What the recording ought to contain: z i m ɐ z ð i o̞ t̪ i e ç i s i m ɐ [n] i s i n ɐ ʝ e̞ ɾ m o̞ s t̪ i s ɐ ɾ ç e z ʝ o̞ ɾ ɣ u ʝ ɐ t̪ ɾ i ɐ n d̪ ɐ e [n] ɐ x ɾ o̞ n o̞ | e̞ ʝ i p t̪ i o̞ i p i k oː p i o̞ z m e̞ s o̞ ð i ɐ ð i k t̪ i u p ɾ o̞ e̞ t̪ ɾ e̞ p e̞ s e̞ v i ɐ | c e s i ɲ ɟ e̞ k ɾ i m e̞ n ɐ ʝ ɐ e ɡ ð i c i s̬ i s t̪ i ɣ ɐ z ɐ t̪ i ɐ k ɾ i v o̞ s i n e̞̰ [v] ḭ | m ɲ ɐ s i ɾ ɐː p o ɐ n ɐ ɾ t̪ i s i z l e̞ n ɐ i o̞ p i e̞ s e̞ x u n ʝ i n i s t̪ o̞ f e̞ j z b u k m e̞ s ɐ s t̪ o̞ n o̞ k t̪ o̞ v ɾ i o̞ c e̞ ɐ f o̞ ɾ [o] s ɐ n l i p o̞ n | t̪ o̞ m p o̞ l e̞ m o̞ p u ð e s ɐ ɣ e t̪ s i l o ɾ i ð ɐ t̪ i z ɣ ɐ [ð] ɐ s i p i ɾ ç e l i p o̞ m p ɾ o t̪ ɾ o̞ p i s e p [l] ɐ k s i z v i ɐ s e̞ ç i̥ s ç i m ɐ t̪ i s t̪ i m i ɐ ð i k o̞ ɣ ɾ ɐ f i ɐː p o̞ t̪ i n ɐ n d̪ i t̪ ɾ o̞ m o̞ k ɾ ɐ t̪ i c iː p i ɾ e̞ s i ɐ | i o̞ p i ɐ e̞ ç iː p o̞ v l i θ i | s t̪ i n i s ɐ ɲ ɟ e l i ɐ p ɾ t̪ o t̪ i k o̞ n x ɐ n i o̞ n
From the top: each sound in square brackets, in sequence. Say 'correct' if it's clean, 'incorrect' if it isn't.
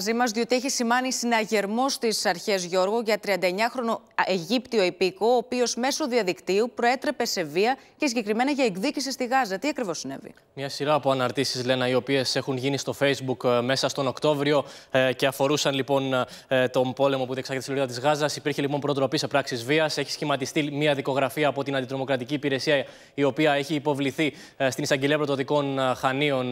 correct, incorrect: ɲ, correct, incorrect: u, incorrect: z, incorrect: ɾ

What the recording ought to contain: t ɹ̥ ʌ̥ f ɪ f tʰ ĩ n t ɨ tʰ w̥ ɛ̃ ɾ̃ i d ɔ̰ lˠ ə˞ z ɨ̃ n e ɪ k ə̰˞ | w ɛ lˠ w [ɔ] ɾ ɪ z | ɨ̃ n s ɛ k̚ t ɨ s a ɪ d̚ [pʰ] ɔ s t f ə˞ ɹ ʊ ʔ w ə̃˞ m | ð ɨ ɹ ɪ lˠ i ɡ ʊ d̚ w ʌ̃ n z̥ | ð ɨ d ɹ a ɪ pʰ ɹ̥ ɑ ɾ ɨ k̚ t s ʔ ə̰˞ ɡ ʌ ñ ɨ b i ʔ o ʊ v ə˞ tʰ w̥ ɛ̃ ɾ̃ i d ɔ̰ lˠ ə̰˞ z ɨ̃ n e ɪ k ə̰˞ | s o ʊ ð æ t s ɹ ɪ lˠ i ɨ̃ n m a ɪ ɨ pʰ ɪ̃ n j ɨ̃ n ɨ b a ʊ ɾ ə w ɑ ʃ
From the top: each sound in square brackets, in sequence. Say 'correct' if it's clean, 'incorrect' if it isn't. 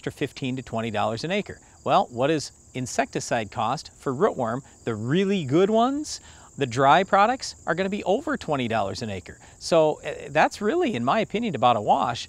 incorrect: ʌ, incorrect: kʰ

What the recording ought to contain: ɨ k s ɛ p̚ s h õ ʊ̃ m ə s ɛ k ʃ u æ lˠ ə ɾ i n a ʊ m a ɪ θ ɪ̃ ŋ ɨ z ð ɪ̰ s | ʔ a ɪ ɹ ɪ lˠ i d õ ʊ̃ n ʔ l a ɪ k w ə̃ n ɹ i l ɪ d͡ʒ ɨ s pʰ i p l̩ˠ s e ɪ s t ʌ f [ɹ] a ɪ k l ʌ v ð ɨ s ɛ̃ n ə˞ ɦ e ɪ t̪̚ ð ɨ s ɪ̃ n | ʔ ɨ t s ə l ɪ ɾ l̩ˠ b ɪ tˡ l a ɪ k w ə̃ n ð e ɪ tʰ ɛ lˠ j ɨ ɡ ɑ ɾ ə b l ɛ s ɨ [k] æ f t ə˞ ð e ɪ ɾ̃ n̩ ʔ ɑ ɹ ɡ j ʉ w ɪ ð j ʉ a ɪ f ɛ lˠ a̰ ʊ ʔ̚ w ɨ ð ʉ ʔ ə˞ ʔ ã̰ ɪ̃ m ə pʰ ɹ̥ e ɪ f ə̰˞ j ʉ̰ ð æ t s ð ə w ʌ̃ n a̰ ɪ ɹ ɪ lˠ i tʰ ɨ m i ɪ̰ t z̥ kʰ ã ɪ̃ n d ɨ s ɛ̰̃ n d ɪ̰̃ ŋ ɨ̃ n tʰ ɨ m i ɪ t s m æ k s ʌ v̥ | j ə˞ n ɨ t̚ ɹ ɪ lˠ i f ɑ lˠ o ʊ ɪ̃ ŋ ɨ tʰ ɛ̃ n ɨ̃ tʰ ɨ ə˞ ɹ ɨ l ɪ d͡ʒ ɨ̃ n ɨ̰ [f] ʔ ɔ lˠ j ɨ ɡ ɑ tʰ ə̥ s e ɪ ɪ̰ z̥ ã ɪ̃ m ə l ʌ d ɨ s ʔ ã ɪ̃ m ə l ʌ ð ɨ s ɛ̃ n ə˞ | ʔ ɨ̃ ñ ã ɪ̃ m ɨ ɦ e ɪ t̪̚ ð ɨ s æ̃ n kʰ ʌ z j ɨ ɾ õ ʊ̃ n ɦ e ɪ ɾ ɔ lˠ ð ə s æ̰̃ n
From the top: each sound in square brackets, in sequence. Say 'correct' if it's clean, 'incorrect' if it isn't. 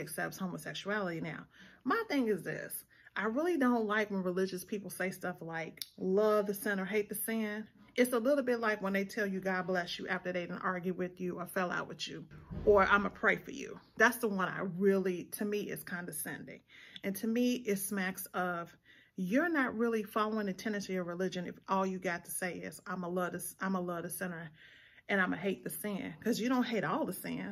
incorrect: l, incorrect: ʔ, correct

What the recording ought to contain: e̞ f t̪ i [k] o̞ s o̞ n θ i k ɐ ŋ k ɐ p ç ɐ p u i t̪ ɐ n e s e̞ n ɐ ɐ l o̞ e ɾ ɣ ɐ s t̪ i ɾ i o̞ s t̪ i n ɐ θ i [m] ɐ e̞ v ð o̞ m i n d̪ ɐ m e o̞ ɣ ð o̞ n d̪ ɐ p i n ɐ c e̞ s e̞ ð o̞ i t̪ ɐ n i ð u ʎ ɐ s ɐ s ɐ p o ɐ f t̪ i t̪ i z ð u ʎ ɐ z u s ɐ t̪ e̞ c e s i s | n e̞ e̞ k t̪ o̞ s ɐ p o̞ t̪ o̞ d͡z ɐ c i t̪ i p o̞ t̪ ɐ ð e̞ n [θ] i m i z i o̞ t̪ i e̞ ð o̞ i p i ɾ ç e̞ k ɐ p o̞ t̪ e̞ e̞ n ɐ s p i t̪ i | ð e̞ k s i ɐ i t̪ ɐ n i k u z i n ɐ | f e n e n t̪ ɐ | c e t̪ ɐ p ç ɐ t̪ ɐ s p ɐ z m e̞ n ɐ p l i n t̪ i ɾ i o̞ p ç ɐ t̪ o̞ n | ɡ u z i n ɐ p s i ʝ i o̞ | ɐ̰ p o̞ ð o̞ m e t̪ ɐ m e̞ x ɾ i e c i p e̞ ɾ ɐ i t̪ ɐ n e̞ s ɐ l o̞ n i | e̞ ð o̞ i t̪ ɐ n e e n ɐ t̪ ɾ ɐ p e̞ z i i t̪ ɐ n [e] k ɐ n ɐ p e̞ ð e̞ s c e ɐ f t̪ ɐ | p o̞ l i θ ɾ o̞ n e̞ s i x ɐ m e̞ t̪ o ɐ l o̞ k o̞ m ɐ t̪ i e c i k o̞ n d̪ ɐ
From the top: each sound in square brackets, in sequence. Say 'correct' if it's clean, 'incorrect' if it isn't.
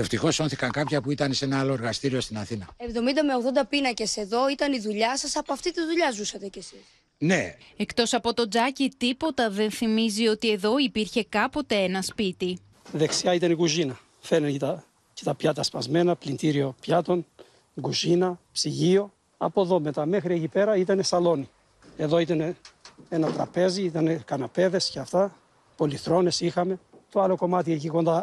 incorrect: x, incorrect: n, correct, correct

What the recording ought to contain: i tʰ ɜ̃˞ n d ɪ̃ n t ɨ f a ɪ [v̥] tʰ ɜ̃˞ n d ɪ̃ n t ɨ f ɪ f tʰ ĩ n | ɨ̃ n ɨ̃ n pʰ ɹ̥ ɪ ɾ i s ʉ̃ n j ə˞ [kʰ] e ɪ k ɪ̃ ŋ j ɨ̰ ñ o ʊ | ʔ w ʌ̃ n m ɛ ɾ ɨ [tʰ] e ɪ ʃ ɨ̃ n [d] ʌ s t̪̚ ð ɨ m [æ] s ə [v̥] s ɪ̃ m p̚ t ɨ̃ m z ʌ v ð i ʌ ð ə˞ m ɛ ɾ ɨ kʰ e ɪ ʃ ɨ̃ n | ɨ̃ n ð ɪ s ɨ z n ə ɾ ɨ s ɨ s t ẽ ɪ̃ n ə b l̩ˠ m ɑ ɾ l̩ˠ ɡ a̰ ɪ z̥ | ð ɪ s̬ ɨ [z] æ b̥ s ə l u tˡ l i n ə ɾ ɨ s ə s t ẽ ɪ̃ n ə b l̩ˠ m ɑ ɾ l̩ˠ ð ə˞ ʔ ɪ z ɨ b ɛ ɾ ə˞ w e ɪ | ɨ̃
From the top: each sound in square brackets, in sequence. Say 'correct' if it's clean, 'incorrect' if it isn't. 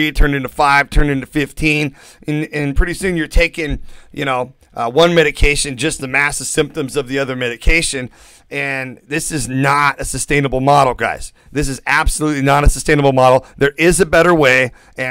correct, incorrect: tʰ, incorrect: kʰ, incorrect: d͡ʒ, correct, correct, correct

